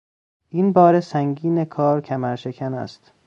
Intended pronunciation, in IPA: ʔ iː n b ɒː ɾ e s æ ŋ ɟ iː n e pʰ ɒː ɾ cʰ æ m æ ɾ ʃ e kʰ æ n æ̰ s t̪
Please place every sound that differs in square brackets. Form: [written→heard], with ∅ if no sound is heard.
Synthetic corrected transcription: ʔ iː n b ɒː ɾ e s æ ŋ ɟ iː n e [pʰ→kʰ] ɒː ɾ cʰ æ m æ ɾ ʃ e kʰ æ n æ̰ s t̪